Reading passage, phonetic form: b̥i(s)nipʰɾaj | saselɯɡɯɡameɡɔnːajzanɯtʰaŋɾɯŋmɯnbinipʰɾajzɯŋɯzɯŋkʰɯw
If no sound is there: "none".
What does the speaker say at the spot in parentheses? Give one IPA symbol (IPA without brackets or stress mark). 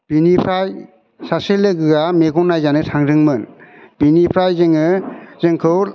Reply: none